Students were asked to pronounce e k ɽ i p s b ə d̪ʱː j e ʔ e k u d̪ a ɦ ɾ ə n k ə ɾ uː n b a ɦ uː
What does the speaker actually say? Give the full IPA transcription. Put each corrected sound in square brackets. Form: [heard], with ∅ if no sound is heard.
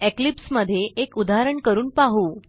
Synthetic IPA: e k [l] i p s [m] ə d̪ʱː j e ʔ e k u d̪ a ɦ ɾ ə [ɳ] k ə ɾ uː n [p] a ɦ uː